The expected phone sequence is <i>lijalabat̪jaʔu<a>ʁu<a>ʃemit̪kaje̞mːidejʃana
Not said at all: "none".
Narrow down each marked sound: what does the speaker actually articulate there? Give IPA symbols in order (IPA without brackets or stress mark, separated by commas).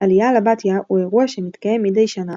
a, e, a